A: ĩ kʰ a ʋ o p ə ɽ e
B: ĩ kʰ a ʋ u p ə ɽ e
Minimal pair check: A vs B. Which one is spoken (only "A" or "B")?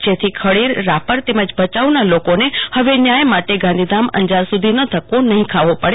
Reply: A